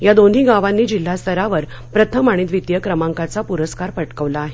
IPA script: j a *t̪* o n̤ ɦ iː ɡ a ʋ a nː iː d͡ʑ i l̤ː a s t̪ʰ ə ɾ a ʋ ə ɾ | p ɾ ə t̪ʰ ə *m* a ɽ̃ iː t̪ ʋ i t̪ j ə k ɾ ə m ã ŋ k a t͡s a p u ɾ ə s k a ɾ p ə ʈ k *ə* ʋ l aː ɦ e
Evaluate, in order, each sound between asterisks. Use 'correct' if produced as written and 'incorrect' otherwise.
incorrect: d̪, correct, correct

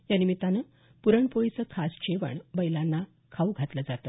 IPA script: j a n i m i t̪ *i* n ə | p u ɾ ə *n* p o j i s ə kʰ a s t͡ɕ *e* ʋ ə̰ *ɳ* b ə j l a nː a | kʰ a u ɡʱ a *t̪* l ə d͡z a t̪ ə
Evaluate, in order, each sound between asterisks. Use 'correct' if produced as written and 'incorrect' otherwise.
incorrect: a, incorrect: ɳ, correct, correct, correct

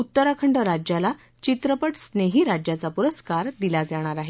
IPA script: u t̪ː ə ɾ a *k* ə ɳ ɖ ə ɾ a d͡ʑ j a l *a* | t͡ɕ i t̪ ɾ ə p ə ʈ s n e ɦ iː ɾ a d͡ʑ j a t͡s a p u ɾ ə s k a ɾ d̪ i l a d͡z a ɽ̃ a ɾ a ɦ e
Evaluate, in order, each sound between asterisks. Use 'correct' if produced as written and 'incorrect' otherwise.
incorrect: kʰ, correct

